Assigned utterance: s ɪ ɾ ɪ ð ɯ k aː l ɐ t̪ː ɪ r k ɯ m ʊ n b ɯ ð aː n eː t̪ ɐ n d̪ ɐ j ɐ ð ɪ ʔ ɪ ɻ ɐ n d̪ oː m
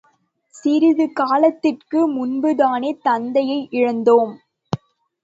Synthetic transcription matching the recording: s ɪ ɾ ɪ ð ɯ k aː l ɐ t̪ː ɪ r k ɯ m ʊ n b ɯ ð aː n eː t̪ ɐ n d̪ ɐ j ɐ ɪ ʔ ɪ ɻ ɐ n d̪ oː m